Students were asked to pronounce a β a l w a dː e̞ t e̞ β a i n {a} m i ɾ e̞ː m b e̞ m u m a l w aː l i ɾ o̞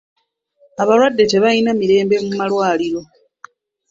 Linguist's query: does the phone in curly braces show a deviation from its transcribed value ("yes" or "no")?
no